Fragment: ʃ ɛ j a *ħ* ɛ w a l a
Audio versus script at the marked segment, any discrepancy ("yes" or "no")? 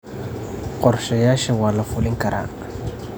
yes